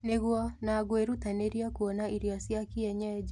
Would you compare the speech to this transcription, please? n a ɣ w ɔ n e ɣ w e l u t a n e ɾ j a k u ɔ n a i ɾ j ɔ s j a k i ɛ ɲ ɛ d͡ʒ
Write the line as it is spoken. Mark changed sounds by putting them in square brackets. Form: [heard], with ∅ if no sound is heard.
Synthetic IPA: n [e] ɣ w ɔ n [a] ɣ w e [ɾ] u t a n e ɾ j a k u ɔ n a i ɾ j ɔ s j a k i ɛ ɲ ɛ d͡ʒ